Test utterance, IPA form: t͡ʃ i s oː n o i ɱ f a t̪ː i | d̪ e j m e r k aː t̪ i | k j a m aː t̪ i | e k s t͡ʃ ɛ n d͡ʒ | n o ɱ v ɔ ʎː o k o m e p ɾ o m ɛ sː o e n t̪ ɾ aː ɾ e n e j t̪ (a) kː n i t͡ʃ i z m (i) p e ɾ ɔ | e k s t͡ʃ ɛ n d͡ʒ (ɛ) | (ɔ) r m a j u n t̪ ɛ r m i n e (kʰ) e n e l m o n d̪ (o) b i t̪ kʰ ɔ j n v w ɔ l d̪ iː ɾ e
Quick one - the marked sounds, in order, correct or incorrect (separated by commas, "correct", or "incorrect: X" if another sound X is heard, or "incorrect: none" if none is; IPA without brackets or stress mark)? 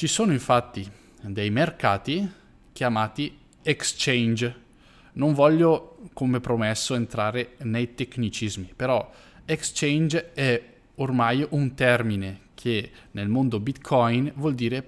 incorrect: e, correct, correct, incorrect: o, correct, correct